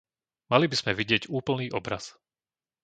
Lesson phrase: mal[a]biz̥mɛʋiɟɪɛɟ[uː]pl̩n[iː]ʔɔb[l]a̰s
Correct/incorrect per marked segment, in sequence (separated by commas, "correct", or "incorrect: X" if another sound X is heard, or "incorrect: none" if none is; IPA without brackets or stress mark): incorrect: i, correct, correct, incorrect: ɾ